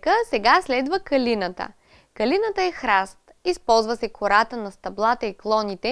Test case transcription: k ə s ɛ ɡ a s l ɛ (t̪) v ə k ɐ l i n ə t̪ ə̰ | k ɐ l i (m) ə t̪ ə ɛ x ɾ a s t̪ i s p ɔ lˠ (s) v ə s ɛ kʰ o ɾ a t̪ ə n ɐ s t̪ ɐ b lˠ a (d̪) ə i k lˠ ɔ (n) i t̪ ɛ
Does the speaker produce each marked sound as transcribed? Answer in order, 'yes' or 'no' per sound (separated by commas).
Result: no, no, no, no, yes